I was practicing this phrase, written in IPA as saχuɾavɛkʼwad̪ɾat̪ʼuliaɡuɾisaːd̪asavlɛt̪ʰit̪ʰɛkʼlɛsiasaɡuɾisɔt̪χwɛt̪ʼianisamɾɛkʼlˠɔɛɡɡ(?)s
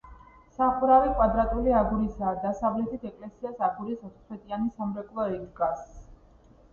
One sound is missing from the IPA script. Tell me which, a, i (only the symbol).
a